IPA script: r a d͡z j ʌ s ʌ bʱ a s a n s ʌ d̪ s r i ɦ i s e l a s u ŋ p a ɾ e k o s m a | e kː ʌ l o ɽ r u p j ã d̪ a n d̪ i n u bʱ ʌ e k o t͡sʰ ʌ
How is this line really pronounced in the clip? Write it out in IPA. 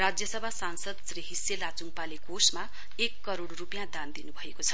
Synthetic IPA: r a d͡z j ʌ s ʌ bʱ a s a n s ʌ d̪ s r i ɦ i s e l a t͡s u ŋ p a l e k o s m a | e kː ʌ ɾ o ɽ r u p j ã d̪ a n d̪ i n u bʱ ʌ e k o t͡sʰ ʌ